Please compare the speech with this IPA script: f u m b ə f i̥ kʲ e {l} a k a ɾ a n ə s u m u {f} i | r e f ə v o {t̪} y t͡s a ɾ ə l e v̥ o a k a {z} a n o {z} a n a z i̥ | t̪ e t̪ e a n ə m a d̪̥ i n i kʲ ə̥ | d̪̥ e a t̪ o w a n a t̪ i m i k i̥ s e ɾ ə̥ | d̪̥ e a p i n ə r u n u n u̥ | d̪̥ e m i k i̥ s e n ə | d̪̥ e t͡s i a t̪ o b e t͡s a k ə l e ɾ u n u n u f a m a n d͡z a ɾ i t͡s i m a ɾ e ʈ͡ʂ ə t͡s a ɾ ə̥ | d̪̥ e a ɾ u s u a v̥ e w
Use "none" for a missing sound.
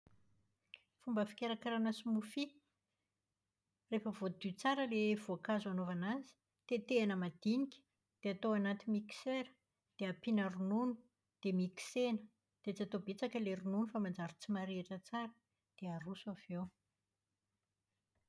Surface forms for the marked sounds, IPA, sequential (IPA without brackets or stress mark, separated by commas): ɾ, f, d̪, z, v